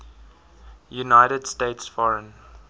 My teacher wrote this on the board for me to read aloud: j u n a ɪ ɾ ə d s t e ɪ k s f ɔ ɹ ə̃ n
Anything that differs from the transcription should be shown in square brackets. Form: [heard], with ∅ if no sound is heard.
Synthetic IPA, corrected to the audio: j u n a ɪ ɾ ə d s t e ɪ [t] s f ɔ ɹ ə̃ n